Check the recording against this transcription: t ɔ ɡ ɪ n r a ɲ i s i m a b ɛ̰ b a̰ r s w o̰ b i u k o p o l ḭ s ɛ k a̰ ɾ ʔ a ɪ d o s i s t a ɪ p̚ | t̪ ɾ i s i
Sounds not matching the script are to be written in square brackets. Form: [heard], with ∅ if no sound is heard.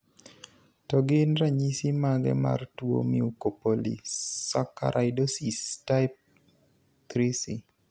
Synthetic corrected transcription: t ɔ ɡ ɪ n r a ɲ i s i m a [ɡ] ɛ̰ [m] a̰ r [t] w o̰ [m] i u k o p o l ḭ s [a] k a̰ ɾ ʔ a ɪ d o s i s t a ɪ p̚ | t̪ ɾ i s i